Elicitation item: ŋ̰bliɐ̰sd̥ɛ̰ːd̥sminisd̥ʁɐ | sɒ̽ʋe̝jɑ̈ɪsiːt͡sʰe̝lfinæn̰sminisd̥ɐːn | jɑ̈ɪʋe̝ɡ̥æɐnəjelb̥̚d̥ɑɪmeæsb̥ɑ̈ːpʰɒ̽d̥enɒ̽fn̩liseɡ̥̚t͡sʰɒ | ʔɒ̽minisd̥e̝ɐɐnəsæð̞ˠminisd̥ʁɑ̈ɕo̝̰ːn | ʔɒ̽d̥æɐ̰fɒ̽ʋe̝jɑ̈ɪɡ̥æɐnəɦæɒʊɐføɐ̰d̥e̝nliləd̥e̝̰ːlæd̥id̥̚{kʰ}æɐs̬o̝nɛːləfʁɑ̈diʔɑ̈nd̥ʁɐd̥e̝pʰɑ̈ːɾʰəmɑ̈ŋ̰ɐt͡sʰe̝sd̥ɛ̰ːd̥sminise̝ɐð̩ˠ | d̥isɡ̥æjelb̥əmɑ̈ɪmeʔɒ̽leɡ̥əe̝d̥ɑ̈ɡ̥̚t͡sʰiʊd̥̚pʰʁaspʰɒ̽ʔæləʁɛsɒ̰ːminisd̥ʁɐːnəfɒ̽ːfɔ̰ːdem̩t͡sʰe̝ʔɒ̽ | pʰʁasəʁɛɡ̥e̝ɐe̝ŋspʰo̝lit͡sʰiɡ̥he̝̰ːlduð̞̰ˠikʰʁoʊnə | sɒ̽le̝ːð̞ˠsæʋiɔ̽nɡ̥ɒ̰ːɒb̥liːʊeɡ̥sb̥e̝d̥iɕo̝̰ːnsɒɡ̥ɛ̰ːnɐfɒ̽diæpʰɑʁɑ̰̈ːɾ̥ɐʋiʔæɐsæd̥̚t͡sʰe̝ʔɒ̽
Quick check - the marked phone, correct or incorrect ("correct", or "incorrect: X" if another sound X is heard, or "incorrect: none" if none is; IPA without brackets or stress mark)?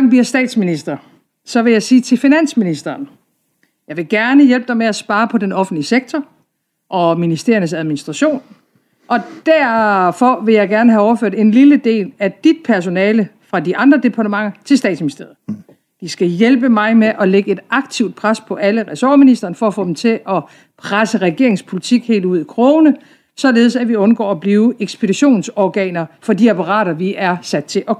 incorrect: pʰ